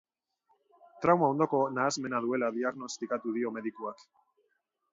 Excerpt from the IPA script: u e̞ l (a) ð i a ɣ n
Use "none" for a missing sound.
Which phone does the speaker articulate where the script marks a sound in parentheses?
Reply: a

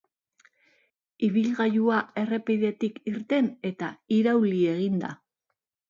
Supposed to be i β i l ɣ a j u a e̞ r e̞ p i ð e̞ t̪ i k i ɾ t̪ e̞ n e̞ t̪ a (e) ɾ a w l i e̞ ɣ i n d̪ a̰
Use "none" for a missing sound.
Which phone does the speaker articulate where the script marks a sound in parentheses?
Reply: i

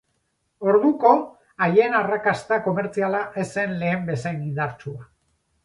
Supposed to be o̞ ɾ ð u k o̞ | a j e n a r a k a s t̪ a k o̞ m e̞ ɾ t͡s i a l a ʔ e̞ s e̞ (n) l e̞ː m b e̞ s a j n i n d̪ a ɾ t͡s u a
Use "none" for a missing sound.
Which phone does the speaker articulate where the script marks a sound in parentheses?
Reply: n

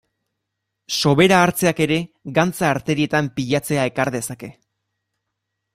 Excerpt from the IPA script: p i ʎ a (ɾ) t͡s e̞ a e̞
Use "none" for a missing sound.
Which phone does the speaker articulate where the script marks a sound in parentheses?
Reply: none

